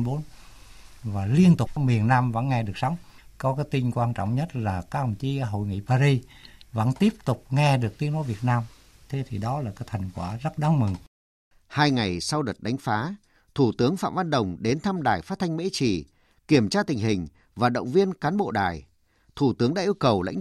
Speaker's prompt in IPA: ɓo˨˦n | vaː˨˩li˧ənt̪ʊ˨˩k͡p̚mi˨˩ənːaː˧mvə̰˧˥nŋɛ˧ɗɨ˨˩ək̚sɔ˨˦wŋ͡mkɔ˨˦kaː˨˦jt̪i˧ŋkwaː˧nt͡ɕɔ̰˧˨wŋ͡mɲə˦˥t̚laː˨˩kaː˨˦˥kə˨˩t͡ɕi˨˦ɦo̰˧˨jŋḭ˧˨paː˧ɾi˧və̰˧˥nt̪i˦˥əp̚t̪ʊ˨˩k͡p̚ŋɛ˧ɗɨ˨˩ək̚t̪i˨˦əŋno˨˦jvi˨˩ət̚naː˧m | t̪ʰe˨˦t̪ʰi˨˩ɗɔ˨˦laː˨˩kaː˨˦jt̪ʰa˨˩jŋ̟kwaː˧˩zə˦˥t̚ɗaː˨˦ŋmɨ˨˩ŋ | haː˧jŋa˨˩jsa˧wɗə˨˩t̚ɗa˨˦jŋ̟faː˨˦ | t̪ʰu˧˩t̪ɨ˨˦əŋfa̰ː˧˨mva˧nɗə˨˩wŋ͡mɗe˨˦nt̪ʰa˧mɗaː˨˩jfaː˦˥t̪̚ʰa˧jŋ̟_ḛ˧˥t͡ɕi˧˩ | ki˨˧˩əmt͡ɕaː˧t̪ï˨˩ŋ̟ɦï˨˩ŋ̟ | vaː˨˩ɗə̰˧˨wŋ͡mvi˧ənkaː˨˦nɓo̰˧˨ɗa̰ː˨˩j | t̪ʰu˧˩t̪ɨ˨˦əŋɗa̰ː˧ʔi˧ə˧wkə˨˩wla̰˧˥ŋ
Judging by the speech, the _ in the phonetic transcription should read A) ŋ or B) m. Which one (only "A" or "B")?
B